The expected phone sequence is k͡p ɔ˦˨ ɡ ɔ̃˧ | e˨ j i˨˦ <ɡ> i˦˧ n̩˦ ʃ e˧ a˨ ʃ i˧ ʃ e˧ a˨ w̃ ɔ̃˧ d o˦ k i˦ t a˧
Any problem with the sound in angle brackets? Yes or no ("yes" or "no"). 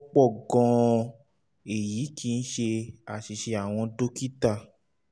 yes